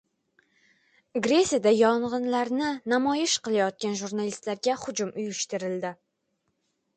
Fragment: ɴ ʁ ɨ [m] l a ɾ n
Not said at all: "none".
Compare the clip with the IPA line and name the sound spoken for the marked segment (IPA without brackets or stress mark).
n